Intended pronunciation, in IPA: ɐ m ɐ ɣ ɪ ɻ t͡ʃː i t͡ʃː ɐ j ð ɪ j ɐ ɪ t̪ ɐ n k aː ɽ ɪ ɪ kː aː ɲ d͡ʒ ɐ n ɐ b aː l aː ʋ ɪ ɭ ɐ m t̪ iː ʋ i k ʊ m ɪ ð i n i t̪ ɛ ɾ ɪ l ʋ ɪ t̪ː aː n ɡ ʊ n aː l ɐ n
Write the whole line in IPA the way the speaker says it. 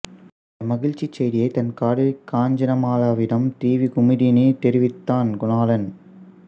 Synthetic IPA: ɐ m ɐ ɣ ɪ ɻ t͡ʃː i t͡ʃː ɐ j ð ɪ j ɐ ɪ t̪ ɐ n k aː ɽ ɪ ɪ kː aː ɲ d͡ʒ ɐ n ɐ m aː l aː ʋ ɪ ɽ ɐ m t̪ iː ʋ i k ʊ m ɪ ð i n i t̪ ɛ ɾ ɪ ʋ ɪ t̪ː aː n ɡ ʊ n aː l ɐ n